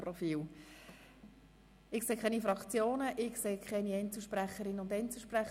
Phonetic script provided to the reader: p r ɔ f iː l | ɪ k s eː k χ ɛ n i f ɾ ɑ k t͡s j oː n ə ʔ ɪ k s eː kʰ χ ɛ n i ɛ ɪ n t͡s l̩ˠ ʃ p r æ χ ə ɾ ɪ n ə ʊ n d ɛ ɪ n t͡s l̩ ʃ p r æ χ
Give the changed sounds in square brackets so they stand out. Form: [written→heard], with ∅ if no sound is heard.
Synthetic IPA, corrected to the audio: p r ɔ f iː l | ɪ k s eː k χ ɛ n i f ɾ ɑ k t͡s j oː n ə ʔ ɪ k s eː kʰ χ ɛ n i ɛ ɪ n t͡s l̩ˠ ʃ p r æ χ ə ɾ ɪ n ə ʊ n d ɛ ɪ n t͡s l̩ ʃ p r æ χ